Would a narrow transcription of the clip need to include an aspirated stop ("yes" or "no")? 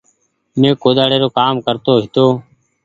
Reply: no